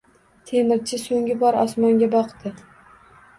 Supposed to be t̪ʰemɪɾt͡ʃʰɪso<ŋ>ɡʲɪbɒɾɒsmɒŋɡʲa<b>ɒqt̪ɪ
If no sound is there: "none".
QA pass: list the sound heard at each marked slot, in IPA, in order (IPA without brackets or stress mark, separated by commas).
ŋ, b